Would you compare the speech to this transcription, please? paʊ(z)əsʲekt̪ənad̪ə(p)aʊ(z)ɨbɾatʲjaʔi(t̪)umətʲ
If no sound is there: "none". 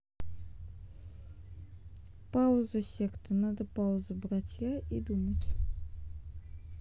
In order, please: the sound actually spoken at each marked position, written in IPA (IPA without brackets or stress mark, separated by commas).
z, p, z, d̪